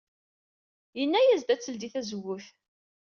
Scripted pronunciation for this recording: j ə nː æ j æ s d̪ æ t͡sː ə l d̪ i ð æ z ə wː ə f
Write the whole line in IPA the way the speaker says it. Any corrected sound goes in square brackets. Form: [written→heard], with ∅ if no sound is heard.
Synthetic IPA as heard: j ə nː æ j æ [s→z] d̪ æ t͡sː ə l d̪ i [ð→θ] æ z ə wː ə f